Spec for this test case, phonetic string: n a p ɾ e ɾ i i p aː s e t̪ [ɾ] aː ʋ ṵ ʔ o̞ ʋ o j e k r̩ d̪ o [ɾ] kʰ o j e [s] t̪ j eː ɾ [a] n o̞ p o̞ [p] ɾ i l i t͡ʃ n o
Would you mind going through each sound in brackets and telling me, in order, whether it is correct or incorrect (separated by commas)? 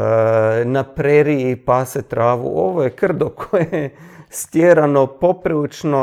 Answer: correct, incorrect, correct, correct, correct